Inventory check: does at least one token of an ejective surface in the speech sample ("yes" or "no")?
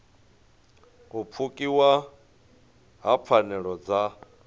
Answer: yes